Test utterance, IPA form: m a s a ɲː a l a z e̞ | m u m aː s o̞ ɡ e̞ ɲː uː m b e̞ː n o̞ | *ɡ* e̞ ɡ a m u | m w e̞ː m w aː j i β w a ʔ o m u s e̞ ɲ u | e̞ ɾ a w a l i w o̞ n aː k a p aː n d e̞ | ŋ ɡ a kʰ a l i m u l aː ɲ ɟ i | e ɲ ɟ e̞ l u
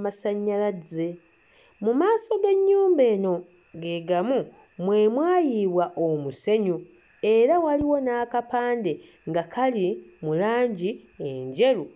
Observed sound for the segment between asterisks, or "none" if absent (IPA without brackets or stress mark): ɡ